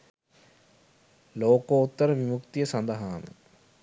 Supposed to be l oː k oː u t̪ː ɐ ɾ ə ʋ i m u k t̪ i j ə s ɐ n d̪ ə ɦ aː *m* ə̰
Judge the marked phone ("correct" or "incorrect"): correct